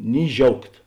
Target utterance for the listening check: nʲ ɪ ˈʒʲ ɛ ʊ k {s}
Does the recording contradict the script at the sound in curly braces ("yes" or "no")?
yes